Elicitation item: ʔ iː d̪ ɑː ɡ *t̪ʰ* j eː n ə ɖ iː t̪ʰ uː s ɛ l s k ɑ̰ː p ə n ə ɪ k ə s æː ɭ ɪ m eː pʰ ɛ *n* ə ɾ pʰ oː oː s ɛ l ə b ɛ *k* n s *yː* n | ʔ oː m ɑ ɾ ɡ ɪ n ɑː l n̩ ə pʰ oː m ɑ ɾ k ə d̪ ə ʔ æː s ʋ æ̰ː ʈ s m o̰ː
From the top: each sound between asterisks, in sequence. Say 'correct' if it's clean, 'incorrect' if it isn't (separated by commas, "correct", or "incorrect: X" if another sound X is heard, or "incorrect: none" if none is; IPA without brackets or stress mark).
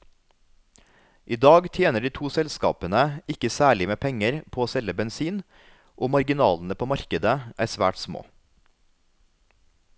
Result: correct, incorrect: ŋ, incorrect: none, incorrect: iː